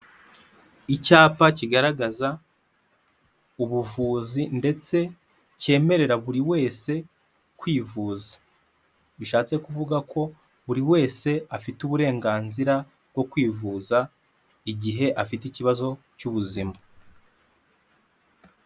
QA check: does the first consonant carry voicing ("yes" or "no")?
no